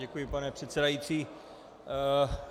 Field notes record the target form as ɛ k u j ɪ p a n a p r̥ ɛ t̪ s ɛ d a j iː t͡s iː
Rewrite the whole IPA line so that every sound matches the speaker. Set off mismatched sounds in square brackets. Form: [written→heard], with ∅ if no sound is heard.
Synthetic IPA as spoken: ɛ k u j ɪ p a n [a→ɛ] p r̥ ɛ t̪ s ɛ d a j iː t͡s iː